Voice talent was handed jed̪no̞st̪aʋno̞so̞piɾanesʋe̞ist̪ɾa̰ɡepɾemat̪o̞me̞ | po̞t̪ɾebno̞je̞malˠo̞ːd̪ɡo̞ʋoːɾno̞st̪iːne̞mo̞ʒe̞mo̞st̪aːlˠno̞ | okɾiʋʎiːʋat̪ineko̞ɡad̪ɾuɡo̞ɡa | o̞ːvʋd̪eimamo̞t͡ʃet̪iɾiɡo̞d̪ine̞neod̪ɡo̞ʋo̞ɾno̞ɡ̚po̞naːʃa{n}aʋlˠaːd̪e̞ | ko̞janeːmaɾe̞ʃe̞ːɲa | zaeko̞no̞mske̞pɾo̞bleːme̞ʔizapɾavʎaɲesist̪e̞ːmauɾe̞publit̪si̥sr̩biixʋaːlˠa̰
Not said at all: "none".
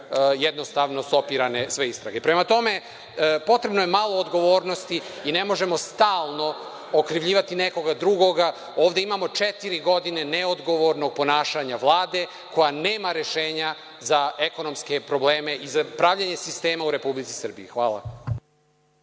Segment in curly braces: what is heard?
ɲ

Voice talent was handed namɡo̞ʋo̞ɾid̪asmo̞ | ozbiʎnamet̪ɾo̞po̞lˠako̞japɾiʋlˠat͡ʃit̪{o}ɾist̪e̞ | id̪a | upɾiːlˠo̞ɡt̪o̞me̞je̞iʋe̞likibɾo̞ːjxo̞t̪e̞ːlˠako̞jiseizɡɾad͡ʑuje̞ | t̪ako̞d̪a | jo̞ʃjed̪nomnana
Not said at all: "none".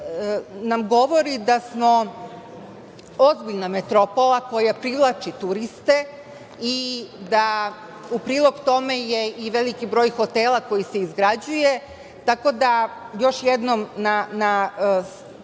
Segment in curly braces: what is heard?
u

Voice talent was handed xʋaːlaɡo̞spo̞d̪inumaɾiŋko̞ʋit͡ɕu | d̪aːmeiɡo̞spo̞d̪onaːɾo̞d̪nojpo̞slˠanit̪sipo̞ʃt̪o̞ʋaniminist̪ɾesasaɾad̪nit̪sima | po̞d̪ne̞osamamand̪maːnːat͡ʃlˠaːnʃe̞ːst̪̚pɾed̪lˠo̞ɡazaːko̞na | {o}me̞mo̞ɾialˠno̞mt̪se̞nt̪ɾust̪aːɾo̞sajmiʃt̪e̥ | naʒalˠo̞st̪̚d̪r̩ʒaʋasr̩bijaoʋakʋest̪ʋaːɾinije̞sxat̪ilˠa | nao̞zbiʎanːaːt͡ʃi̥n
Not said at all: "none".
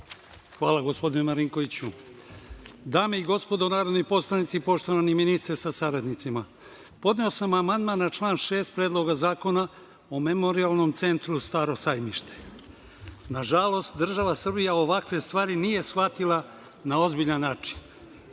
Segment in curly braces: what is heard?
o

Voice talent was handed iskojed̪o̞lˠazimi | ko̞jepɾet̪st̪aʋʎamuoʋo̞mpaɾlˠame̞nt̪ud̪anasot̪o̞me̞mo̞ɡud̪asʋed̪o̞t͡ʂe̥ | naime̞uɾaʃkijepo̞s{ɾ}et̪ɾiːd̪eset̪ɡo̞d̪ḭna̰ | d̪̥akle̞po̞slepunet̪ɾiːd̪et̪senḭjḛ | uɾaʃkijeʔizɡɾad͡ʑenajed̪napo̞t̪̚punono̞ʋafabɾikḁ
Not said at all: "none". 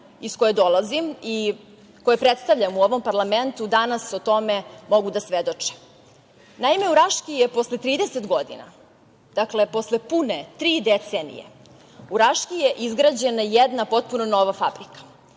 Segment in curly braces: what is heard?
l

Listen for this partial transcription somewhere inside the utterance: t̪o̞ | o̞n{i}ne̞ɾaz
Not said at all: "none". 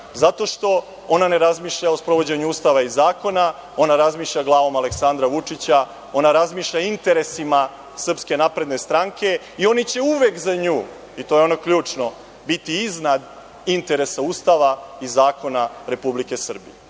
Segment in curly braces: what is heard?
a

